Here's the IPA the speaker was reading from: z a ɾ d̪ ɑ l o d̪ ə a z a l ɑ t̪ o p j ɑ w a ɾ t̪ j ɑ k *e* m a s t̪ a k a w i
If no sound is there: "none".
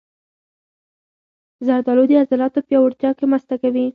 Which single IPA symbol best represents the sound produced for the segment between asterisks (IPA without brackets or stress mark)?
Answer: e